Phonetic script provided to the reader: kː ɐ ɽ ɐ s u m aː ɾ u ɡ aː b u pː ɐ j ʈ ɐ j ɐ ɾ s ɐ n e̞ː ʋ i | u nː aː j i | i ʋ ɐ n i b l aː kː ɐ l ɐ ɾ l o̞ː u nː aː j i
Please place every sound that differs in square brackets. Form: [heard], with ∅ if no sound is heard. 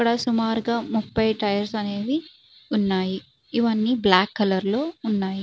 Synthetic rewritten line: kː ɐ ɽ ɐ s u m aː ɾ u ɡ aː [m] u pː ɐ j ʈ ɐ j ɐ ɾ s ɐ n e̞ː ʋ i | u nː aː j i | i ʋ ɐ [nː] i b l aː kː ɐ l ɐ ɾ l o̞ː u nː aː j i

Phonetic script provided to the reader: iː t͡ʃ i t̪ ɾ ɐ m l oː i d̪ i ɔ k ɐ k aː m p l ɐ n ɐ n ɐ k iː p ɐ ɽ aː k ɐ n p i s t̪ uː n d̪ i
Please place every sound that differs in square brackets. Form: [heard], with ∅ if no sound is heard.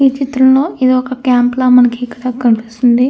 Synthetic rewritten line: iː t͡ʃ i t̪ ɾ ɐ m l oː i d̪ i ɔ k ɐ k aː m p l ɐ [m] ɐ n ɐ k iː [k] ɐ ɽ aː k ɐ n p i s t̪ [u] n d̪ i

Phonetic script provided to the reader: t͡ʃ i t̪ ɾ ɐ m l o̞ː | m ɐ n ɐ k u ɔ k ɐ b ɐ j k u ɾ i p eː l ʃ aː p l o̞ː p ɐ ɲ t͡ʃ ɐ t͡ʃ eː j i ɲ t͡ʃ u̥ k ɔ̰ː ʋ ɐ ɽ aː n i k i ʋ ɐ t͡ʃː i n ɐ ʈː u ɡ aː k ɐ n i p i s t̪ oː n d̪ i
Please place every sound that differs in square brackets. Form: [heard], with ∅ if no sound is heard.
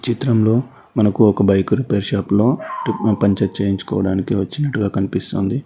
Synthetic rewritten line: t͡ʃ i t̪ ɾ ɐ m l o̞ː | m ɐ n ɐ k u ɔ k ɐ b ɐ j k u ɾ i p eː [ɾ] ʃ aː p l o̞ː p ɐ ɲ t͡ʃ ɐ t͡ʃ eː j i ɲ t͡ʃ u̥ k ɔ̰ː ʋ ɐ ɽ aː n i k i ʋ ɐ t͡ʃː i n ɐ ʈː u ɡ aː k ɐ n i p i s t̪ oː n d̪ i

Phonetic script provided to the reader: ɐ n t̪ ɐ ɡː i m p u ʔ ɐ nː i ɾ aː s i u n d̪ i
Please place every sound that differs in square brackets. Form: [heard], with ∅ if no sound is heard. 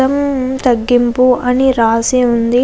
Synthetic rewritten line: ɐ [m] t̪ ɐ ɡː i m p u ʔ ɐ [n] i ɾ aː s i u n d̪ i

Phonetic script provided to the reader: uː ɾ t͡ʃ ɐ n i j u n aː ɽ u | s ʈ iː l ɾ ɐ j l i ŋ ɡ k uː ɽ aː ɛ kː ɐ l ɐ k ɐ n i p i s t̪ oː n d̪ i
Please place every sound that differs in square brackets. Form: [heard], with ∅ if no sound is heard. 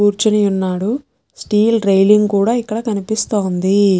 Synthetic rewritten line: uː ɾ t͡ʃ ɐ n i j u [nː] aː ɽ u | s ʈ iː l ɾ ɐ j l i ŋ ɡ k uː ɽ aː [i] kː ɐ [ɽ] ɐ k ɐ n i p i s t̪ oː n d̪ i

